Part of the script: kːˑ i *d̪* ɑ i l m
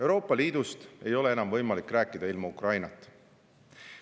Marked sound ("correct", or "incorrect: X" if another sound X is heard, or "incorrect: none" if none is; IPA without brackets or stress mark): correct